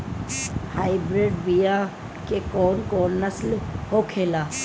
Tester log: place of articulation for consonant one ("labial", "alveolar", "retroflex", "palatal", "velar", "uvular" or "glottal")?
glottal